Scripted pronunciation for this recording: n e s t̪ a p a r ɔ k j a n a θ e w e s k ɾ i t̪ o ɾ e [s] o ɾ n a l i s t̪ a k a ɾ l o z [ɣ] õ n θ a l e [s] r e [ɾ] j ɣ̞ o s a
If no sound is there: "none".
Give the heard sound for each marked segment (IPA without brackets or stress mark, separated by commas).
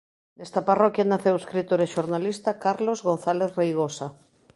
ʃ, ɣ, θ, none